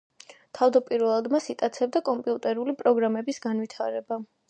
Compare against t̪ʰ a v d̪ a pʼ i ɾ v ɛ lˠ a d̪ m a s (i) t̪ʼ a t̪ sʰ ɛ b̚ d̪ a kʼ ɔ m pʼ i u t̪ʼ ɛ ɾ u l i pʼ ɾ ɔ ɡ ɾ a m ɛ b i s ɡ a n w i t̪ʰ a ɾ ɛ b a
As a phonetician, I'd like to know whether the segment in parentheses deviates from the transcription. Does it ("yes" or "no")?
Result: no